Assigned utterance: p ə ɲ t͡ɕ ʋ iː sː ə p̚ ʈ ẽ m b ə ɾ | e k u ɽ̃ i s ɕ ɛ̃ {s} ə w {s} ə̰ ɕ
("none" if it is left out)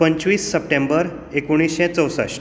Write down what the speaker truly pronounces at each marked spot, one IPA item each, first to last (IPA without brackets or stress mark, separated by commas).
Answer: t͡s, s